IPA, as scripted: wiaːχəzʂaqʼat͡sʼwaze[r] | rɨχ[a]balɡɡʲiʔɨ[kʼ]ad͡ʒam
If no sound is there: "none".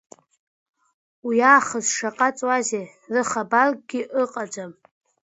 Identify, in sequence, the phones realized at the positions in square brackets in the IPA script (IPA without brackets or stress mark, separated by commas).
none, a, qʼ